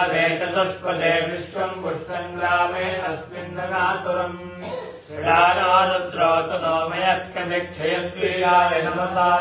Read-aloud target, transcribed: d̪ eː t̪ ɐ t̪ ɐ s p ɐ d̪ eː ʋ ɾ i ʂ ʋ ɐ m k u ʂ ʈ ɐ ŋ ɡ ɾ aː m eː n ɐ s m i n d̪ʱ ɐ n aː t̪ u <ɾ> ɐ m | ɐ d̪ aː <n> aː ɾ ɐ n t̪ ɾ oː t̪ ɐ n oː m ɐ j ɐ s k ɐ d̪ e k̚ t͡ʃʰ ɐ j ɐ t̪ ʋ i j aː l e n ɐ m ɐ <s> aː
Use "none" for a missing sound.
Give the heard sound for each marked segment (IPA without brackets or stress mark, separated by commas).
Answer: ɾ, n, s